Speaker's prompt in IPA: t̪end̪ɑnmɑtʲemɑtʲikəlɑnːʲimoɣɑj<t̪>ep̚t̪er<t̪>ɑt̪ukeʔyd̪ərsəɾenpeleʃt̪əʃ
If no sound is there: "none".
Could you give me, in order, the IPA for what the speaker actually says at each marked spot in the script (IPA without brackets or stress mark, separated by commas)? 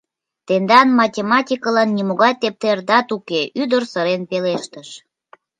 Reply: t̪, d̪